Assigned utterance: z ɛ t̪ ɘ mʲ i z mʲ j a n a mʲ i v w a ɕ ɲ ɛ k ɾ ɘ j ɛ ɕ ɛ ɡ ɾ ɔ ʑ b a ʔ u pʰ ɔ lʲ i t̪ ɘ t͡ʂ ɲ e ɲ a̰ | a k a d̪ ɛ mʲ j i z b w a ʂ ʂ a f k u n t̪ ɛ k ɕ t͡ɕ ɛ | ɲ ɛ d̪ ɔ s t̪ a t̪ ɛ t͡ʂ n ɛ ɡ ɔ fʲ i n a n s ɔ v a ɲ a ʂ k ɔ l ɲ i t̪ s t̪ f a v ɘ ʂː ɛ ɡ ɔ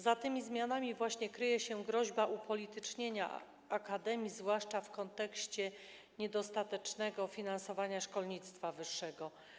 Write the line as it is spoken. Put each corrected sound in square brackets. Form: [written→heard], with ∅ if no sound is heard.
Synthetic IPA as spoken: z [ɛ→a] t̪ ɘ mʲ i z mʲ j a n a mʲ i v w a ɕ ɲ ɛ k ɾ ɘ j ɛ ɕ ɛ ɡ ɾ ɔ ʑ b a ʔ u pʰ ɔ lʲ i t̪ ɘ t͡ʂ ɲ e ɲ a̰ | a k a d̪ ɛ mʲ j i z [b→v] w a ʂ [ʂ→t͡ʂ] a f k [u→ɔ] n t̪ ɛ k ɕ t͡ɕ ɛ | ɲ ɛ d̪ ɔ s t̪ a t̪ ɛ t͡ʂ n ɛ ɡ ɔ fʲ i n a n s ɔ v a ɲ a ʂ k ɔ l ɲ i t̪ s t̪ f a v ɘ ʂː ɛ ɡ ɔ